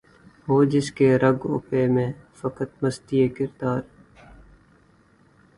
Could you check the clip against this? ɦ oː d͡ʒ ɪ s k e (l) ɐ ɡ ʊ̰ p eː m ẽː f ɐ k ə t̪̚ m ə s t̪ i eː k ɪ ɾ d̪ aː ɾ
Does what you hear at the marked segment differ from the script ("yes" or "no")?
yes